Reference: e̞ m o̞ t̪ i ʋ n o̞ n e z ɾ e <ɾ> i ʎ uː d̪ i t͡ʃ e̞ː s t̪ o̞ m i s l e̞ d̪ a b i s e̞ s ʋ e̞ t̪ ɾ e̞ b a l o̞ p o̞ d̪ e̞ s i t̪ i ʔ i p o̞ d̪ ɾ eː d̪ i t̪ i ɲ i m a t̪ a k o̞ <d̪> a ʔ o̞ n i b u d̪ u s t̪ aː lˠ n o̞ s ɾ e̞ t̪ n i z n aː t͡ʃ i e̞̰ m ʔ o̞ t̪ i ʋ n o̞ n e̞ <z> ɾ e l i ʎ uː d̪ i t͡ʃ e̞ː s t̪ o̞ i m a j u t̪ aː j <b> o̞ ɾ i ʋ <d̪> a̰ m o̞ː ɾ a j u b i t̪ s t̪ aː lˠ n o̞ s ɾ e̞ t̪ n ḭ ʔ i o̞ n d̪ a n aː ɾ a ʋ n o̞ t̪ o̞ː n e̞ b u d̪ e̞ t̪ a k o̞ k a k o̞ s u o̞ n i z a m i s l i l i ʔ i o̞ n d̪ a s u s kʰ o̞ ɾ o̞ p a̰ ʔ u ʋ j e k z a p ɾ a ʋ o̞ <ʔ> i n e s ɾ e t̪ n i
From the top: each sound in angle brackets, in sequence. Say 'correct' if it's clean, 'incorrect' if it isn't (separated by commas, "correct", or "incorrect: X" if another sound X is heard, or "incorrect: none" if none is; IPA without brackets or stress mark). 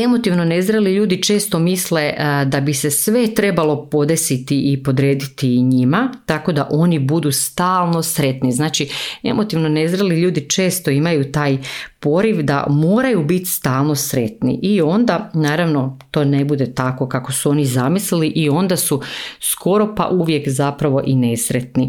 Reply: incorrect: l, correct, correct, incorrect: p, correct, correct